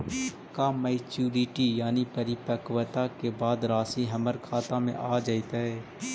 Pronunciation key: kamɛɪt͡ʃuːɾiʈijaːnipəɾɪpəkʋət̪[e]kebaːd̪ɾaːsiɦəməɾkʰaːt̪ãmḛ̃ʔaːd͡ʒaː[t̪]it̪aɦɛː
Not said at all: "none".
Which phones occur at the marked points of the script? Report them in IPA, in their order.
a, none

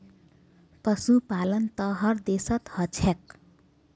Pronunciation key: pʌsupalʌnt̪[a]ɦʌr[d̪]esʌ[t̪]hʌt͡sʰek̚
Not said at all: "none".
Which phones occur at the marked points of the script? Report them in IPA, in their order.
ʌ, d̪, t̪

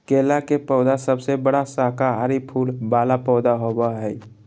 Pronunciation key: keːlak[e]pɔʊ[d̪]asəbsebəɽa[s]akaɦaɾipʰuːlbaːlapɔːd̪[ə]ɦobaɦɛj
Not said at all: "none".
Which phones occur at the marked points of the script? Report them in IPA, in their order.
e, d̪, s, a

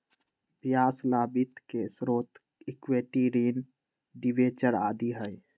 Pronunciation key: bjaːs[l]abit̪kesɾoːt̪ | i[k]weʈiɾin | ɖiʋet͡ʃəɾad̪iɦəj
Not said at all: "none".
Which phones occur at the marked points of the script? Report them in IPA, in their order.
l, k

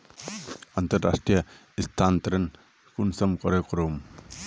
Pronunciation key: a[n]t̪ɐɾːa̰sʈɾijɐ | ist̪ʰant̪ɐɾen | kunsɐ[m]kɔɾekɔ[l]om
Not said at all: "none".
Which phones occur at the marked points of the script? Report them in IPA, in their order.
n, m, ɾ

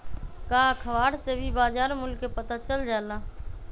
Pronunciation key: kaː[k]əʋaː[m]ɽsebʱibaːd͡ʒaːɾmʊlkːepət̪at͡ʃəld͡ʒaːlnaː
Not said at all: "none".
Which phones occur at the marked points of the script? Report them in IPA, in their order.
kʰ, none

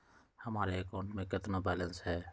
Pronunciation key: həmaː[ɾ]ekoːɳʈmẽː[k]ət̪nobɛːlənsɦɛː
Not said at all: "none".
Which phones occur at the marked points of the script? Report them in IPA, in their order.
ɾ, k

